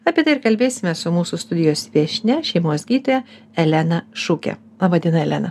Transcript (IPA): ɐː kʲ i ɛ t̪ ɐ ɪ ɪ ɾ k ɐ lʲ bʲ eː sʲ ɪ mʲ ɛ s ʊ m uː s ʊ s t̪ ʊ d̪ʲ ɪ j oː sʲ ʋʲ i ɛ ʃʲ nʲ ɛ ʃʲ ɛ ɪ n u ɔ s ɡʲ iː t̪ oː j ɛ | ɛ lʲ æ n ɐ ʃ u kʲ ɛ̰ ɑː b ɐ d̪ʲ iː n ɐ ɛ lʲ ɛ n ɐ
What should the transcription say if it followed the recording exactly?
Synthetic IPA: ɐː pʲ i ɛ t̪ ɐ ɪ ɪ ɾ k ɐ lʲ bʲ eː sʲ ɪ mʲ ɛ s ʊ m uː s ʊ s t̪ ʊ d̪ʲ ɪ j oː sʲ ʋʲ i ɛ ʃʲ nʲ ɛ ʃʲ ɛ ɪ m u ɔ s ɡʲ iː t̪ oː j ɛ | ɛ lʲ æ n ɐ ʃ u kʲ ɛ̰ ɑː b ɐ d̪ʲ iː n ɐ ɛ lʲ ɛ n ɐ